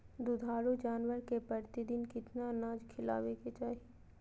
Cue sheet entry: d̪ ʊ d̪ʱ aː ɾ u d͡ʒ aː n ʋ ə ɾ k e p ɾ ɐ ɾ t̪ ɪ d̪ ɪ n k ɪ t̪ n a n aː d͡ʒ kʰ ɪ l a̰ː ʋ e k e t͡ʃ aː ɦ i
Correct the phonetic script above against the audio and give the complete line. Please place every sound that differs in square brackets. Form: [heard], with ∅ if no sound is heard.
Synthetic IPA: d̪ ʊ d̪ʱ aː ɾ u d͡ʒ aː n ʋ ə ɾ k e p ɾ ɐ ɾ t̪ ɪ d̪ ɪ n k ɪ t̪ n a n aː d͡ʒ kʰ ɪ l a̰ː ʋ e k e t͡ʃ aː ɦ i